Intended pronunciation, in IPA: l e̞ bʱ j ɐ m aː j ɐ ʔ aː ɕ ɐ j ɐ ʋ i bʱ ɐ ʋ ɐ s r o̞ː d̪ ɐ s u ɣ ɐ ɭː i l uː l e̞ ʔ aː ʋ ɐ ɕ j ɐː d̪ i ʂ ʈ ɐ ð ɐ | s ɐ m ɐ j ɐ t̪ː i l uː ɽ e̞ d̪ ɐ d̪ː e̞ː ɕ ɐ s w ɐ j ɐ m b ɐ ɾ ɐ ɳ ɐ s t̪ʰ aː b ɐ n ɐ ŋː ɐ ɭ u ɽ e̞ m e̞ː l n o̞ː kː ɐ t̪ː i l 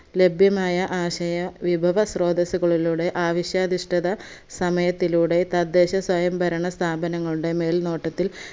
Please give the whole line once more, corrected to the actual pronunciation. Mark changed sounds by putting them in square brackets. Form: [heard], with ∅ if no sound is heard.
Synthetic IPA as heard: l e̞ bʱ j ɐ m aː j ɐ ʔ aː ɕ ɐ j ɐ ʋ i bʱ ɐ ʋ ɐ s r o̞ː d̪ ɐ s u ɣ ɐ [ɭ] i l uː [ɽ] e̞ ʔ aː ʋ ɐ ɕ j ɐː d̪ i ʂ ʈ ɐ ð ɐ | s ɐ m ɐ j ɐ t̪ː i l uː ɽ e̞ [t̪] ɐ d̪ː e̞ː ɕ ɐ s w ɐ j ɐ m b ɐ ɾ ɐ ɳ ɐ s t̪ʰ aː b ɐ n ɐ ŋː ɐ ɭ u ɽ e̞ m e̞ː l n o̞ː [ʈː] ɐ t̪ː i l

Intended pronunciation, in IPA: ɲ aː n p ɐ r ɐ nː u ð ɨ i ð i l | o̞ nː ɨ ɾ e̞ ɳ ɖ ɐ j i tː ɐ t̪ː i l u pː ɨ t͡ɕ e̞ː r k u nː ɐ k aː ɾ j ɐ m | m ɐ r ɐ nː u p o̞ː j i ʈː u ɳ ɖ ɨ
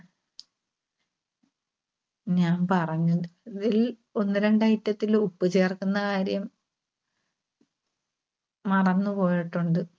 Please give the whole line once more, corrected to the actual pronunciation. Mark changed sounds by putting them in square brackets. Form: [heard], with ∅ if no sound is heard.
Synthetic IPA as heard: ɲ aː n p ɐ r ɐ [ɲː] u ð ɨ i ð i l | o̞ nː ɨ ɾ e̞ ɳ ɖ ɐ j i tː ɐ t̪ː i l u pː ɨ t͡ɕ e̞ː r k u nː ɐ k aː ɾ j ɐ m | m ɐ r ɐ nː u p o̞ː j i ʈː u ɳ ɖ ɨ

